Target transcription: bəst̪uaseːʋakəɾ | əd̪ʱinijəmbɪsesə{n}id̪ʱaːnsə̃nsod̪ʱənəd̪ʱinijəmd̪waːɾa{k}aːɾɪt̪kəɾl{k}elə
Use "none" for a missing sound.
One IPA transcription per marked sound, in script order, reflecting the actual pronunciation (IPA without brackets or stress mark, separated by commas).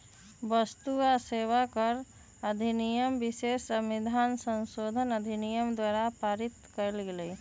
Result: m, p, ɡ